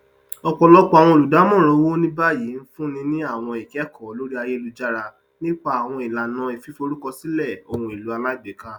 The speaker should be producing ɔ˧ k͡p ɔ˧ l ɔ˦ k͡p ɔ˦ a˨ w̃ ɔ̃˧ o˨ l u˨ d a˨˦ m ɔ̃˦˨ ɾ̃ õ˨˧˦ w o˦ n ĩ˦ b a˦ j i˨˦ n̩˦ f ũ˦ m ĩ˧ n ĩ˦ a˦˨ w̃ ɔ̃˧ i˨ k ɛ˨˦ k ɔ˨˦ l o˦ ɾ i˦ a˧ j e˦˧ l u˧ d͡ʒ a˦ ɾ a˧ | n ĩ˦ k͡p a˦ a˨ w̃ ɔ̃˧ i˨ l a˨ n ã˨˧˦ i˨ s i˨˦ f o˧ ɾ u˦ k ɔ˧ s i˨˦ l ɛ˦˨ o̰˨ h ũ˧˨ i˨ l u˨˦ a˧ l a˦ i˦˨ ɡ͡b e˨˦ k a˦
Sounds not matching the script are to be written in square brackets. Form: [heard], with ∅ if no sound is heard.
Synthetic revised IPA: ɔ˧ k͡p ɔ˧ l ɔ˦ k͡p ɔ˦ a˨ w̃ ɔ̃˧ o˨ l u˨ d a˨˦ m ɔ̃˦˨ ɾ̃ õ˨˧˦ w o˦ n ĩ˦ b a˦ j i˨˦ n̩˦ f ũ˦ [n] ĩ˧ n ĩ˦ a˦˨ w̃ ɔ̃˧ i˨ k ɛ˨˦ k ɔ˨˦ l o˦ ɾ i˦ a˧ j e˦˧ l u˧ d͡ʒ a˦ ɾ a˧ | n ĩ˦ k͡p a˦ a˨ w̃ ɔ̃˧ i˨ l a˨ n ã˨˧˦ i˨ [f] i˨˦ f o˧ ɾ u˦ k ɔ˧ s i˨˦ l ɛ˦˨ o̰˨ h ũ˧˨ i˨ l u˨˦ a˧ l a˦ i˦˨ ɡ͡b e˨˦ k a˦

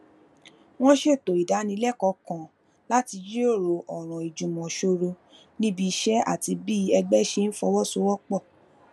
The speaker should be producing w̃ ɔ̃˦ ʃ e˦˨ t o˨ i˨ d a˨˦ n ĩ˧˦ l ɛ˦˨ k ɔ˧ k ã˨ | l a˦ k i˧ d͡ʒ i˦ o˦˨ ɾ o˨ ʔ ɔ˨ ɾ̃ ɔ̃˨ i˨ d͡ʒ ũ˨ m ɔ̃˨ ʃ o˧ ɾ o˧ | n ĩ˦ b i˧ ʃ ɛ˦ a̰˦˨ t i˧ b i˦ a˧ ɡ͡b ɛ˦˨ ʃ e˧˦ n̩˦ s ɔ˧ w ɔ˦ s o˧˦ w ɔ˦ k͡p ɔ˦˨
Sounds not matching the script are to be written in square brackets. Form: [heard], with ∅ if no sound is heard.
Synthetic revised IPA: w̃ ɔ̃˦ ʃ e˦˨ t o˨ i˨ d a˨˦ n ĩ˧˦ l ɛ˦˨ k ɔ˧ k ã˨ | l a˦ [t] i˧ d͡ʒ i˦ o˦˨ ɾ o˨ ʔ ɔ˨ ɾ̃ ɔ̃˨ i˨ d͡ʒ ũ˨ m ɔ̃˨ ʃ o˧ ɾ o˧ | n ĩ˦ b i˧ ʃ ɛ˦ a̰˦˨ t i˧ b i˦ [ɛ˧] ɡ͡b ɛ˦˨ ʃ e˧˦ n̩˦ [f] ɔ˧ w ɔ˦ s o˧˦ w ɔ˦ k͡p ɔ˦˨

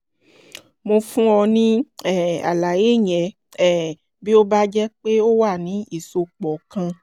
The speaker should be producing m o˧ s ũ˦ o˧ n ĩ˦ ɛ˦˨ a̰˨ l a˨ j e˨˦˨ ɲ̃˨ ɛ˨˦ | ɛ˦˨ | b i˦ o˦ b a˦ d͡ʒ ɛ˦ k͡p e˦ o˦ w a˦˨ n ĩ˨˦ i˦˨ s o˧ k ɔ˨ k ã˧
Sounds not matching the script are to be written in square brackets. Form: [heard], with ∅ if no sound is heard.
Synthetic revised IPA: m o˧ [f] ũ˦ [ɔ˧] n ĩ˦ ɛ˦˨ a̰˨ l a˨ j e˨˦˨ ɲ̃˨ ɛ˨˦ | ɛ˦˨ | b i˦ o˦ b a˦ d͡ʒ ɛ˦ k͡p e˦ o˦ w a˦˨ n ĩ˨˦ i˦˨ s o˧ [k͡p] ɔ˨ k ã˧

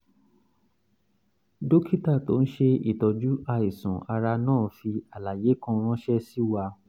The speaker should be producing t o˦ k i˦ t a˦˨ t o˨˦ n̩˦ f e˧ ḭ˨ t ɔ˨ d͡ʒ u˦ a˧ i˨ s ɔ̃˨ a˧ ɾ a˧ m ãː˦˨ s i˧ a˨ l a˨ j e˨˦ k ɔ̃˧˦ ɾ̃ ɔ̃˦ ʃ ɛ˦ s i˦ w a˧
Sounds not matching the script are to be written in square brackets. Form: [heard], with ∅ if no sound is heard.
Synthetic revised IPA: [d] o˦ k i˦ t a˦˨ t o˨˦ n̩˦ [ʃ] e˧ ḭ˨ t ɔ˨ d͡ʒ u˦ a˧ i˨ s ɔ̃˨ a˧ ɾ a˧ [n] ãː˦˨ [f] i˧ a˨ l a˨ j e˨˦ k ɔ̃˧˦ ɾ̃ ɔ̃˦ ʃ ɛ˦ s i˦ w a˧

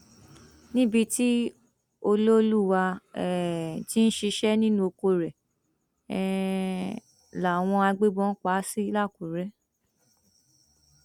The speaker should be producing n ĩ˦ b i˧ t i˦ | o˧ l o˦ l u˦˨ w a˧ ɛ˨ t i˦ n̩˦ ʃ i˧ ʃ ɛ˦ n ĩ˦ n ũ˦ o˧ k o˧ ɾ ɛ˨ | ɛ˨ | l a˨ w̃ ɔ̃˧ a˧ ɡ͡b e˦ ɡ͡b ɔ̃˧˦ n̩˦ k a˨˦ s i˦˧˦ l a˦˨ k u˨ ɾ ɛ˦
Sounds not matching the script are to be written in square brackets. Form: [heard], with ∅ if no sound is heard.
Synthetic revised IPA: n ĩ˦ b i˧ t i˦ | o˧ l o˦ l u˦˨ w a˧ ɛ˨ t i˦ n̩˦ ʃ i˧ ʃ ɛ˦ n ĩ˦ n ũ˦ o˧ k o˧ ɾ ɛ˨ | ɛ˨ | l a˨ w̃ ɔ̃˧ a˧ ɡ͡b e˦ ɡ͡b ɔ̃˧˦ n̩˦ [k͡p] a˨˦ s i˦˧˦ l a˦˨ k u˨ ɾ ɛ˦

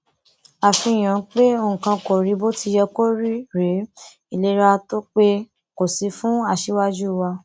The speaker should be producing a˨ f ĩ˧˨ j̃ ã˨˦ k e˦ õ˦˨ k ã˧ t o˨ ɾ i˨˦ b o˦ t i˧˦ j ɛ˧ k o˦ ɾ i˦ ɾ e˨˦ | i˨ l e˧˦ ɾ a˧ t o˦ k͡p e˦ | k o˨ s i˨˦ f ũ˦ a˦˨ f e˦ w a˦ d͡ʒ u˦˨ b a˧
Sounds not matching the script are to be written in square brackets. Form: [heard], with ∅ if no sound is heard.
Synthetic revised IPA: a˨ f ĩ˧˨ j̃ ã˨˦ [k͡p] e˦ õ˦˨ k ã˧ [k] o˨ ɾ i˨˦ b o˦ t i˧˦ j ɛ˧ k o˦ ɾ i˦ ɾ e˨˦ | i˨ l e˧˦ ɾ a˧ t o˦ k͡p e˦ | k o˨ s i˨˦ f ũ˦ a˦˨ [ʃ] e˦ w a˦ d͡ʒ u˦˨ [w] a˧

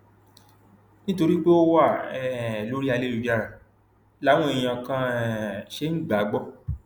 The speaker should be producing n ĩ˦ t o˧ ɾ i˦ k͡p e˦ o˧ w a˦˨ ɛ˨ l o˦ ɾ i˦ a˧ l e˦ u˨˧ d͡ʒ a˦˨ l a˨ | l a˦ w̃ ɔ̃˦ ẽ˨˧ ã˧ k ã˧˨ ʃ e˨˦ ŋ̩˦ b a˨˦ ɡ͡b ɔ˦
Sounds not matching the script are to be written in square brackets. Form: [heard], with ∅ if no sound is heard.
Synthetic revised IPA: n ĩ˦ t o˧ ɾ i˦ k͡p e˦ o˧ w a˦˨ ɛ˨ l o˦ ɾ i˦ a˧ l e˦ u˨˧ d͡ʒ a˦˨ [ɾ] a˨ | l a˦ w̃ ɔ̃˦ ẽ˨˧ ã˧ k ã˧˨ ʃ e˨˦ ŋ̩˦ [ɡ͡b] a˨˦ ɡ͡b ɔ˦

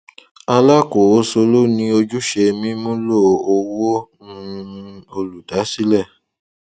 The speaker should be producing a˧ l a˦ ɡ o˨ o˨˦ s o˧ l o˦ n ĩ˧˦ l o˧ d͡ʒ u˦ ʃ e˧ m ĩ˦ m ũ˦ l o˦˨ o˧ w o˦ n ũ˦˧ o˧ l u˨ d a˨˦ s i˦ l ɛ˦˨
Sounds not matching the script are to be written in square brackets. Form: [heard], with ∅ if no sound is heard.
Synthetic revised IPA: a˧ l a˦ [k] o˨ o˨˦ s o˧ l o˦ n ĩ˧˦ [∅] o˧ d͡ʒ u˦ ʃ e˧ m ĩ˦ m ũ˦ l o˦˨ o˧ w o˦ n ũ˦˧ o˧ l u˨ d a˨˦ s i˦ l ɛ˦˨

